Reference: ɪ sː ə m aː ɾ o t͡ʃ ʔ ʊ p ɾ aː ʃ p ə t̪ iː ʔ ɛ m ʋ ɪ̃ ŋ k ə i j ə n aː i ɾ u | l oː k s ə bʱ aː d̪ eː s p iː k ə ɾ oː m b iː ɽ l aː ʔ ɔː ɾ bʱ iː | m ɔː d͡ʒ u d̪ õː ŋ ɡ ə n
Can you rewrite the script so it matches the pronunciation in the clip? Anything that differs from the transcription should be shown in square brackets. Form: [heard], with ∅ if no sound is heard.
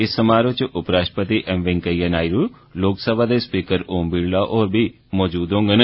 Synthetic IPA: ɪ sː ə m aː ɾ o t͡ʃ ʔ ʊ p ɾ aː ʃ p ə t̪ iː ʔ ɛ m ʋ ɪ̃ ŋ k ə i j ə n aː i ɾ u | l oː k s ə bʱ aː d̪ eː s p iː k ə ɾ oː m b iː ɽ l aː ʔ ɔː ɾ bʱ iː | m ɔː d͡ʒ [uː] d̪ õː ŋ ɡ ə n